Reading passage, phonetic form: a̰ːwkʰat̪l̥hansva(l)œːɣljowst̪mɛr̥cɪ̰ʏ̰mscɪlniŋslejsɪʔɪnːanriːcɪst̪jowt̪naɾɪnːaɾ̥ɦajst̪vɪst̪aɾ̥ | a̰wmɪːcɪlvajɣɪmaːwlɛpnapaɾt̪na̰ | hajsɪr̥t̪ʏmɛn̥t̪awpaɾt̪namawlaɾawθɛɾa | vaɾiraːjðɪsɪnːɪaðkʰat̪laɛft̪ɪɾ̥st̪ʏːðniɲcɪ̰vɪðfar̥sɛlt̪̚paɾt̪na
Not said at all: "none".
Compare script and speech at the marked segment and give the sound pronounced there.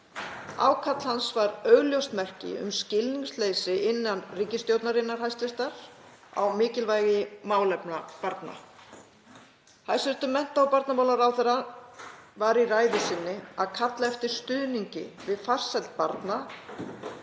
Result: ɾ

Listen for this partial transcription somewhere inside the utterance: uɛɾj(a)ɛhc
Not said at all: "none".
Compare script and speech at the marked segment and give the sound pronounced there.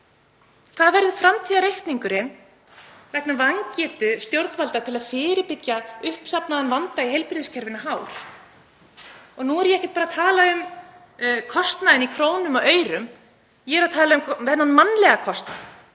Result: ɛ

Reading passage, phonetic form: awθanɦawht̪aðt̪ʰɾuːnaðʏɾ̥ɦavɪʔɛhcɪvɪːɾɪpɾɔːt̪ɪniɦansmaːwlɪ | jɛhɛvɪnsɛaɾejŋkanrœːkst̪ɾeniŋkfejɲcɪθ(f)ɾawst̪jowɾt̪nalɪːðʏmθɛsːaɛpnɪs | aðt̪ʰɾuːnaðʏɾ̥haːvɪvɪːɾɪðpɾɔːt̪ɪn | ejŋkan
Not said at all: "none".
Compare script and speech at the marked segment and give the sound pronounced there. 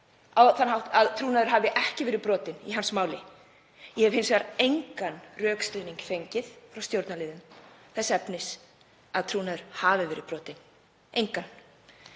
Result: f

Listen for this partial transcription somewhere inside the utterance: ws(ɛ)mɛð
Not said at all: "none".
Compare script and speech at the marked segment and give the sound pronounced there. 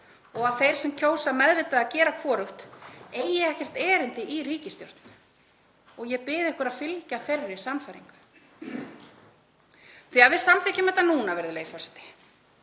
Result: a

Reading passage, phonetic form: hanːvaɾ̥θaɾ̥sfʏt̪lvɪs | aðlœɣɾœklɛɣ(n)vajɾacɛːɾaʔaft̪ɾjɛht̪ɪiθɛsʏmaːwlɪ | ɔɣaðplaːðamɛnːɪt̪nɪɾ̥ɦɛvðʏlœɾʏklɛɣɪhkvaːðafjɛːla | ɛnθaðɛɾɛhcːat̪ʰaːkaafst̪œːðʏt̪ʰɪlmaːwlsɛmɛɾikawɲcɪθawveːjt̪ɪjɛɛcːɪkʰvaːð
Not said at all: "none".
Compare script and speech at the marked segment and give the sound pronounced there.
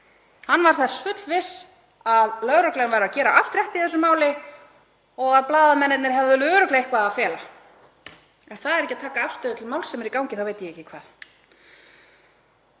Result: n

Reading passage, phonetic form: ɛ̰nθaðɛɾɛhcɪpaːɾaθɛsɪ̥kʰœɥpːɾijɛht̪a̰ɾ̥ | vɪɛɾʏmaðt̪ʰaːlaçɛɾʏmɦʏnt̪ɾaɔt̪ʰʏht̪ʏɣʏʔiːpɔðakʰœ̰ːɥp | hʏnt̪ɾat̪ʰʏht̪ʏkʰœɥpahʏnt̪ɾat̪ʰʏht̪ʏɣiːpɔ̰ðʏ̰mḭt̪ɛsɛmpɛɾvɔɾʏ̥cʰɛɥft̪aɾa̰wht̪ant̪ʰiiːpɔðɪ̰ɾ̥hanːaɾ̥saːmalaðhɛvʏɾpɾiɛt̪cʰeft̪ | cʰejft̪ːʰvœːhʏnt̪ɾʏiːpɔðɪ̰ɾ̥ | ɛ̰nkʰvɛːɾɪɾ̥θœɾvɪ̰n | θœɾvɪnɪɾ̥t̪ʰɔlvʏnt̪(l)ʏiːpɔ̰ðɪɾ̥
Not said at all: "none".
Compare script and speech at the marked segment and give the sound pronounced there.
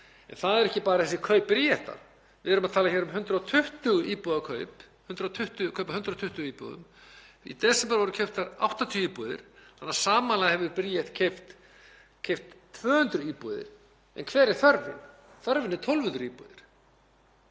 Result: ɾ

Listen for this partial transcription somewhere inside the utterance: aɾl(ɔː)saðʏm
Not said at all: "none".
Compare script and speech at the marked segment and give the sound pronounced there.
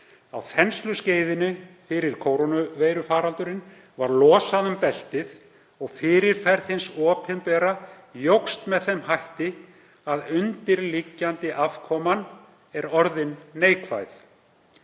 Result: ɔː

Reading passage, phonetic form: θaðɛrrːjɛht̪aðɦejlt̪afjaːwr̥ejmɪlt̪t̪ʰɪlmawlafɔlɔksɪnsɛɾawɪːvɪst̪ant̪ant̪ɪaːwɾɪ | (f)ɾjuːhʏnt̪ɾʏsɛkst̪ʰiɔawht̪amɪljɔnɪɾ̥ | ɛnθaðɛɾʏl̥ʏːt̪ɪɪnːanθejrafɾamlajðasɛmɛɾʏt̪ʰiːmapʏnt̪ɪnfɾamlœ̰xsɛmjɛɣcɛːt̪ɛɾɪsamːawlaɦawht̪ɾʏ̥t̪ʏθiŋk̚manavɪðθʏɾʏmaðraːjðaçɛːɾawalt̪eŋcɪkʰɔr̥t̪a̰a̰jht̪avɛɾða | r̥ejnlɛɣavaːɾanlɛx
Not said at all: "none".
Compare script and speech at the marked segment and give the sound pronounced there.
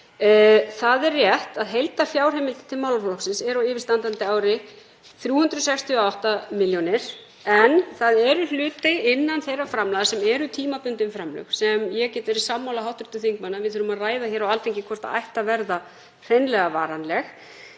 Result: θ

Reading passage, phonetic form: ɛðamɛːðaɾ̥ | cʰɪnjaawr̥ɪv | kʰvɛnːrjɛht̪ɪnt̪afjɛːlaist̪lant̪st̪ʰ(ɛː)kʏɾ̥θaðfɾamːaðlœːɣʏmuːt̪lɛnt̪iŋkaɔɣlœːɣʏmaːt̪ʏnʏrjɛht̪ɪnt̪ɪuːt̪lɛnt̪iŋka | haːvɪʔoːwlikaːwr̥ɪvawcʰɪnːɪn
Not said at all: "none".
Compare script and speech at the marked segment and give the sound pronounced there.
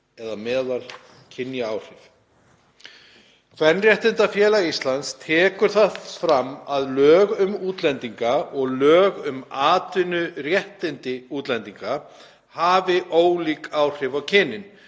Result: ɛː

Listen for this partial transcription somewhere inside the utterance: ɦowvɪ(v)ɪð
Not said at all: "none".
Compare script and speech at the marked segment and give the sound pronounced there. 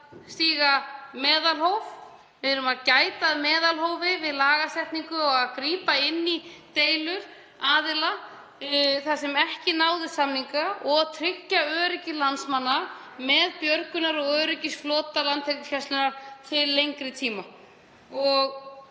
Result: v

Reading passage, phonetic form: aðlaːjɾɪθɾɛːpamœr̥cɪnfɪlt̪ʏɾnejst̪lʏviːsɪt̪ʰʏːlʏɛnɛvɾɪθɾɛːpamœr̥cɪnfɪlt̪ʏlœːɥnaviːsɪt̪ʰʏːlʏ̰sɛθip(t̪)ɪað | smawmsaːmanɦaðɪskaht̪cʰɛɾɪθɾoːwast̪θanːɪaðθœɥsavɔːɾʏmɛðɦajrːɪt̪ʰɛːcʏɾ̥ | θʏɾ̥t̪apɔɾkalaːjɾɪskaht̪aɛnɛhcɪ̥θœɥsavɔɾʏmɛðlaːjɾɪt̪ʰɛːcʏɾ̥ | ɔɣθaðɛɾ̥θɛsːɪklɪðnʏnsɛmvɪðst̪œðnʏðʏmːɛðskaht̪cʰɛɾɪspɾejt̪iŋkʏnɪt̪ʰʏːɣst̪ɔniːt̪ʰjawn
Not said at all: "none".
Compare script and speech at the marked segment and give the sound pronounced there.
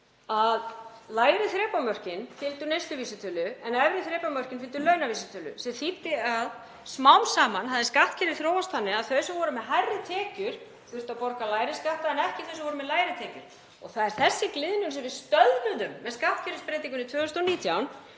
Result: t̪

